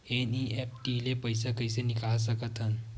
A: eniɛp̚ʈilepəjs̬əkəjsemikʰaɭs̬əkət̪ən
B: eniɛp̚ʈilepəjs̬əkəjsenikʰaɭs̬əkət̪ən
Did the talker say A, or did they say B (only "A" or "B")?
B